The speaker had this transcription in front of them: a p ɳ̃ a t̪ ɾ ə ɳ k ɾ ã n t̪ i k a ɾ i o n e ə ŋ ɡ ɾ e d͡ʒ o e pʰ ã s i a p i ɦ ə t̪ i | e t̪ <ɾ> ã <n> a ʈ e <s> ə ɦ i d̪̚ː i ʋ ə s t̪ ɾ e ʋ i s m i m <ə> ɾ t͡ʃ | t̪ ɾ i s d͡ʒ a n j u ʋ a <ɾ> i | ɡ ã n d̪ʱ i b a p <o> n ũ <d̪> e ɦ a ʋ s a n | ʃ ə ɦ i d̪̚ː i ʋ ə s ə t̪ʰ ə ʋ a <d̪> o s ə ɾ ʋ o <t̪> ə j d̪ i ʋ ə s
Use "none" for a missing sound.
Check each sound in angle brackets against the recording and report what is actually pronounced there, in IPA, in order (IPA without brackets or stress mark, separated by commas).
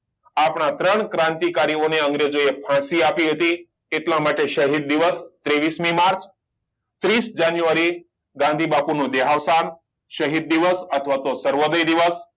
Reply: l, m, ʃ, a, ɾ, u, d̪, t̪, d̪